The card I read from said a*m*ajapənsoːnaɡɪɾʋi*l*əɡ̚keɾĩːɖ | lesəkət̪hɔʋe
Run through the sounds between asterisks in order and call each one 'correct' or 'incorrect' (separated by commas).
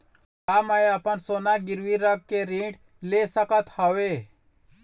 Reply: correct, incorrect